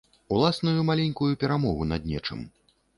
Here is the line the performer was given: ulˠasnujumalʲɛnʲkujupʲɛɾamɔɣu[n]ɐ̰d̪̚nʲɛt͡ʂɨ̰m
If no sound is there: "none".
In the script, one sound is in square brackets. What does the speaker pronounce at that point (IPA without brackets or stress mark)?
n